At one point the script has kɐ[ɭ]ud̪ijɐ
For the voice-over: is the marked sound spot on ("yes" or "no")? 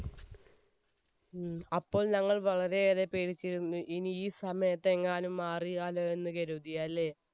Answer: no